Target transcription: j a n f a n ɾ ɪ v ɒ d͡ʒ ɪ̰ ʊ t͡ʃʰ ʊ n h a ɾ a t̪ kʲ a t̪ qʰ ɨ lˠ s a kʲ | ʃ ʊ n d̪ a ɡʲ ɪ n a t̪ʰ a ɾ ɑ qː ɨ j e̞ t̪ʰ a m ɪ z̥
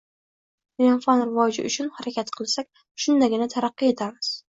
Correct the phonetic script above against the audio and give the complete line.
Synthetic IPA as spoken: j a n f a n ɾ ɪ v ɒ d͡ʒ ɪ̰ ʊ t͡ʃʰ ʊ n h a ɾ a kʲ a t̪ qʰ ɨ lˠ s a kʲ | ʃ ʊ n d̪ a ɡʲ ɪ n a t̪ʰ a ɾ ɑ qː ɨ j e̞ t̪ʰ a m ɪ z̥